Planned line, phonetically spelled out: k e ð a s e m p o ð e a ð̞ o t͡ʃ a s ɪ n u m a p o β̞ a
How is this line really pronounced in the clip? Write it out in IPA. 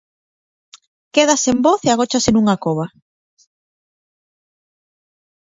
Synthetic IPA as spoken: k e ð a s e m b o θ e a ɣ̞ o t͡ʃ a s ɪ n u ŋ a k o β̞ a

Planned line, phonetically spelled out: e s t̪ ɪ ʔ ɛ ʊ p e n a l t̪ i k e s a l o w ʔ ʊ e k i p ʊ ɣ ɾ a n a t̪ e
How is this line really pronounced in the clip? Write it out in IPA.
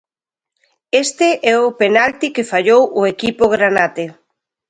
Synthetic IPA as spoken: e s t̪ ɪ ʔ ɛ ʊ p e n a l t̪ i k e f a ʎ o w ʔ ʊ e k i p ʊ ɣ ɾ a n a t̪ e

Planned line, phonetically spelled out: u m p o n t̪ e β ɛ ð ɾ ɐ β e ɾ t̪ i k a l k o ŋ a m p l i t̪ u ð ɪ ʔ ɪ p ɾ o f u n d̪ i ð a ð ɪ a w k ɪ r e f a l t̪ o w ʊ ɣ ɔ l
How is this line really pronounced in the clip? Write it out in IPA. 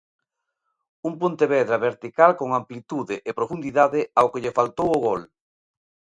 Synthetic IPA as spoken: u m p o n t̪ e β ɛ ð ɾ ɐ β e ɾ t̪ i k a l k o ŋ a m p l i t̪ u ð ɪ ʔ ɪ p ɾ o f u n d̪ i ð a ð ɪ a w k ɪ ʎ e f a l t̪ o w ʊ ɣ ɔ l

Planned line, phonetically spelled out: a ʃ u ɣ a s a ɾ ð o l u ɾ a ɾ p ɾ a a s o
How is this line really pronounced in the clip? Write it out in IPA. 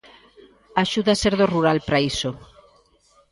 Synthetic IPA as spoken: a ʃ u ð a s e ɾ ð o r u ɾ a l p ɾ a i s o

